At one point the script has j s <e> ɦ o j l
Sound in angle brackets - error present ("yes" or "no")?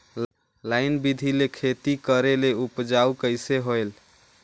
no